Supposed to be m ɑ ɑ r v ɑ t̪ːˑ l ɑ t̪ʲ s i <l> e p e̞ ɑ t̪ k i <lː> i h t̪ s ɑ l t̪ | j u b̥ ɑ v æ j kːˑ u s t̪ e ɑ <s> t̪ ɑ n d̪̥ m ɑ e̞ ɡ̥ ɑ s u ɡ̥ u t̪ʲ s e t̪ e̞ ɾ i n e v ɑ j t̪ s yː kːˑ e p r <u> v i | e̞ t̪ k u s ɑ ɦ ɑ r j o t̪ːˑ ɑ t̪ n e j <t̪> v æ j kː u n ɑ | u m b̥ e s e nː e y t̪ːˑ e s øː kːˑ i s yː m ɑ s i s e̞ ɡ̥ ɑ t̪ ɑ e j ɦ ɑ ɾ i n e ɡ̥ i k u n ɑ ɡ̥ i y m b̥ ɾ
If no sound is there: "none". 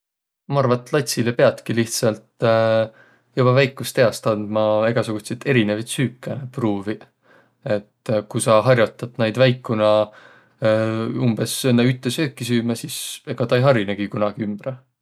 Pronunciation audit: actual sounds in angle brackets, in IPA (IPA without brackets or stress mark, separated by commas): l, l, s, uː, d̪